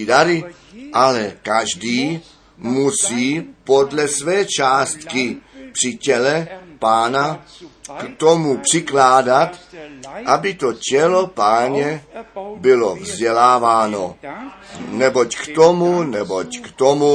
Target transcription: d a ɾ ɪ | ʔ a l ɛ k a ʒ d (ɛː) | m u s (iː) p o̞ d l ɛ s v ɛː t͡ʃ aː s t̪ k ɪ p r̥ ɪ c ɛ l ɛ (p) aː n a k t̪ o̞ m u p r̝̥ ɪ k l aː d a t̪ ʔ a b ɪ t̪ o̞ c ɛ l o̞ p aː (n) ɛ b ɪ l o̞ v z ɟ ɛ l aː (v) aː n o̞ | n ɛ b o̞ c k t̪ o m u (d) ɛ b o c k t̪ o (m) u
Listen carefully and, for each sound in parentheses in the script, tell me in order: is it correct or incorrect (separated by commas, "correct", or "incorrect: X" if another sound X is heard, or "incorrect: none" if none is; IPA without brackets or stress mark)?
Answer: incorrect: iː, correct, correct, incorrect: ɲ, correct, incorrect: n, correct